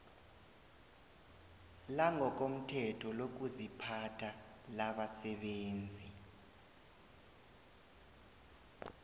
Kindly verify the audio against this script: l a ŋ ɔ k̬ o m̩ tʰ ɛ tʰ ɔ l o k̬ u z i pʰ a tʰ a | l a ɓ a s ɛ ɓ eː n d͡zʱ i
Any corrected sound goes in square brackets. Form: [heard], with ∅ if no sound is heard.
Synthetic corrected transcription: l a ŋ ɔ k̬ o m̩ tʰ ɛ tʰ ɔ l o k̬ u z i pʰ a tʰ a | l a ɓ a s ɛ ɓ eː n d͡zʱ i